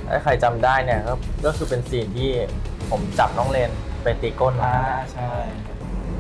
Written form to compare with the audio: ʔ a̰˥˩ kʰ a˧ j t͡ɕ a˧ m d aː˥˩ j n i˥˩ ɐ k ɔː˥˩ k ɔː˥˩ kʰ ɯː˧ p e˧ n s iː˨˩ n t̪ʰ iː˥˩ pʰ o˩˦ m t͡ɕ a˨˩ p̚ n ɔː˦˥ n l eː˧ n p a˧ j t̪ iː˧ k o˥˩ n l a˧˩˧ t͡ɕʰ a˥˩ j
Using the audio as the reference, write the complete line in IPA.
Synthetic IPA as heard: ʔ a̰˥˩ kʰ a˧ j t͡ɕ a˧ m d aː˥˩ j n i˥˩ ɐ k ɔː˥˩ k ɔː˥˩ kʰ ɯː˧ p e˧ n s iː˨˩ n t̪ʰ iː˥˩ pʰ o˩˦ m t͡ɕ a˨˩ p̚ n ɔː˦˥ ŋ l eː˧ n p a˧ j t̪ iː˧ k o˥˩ n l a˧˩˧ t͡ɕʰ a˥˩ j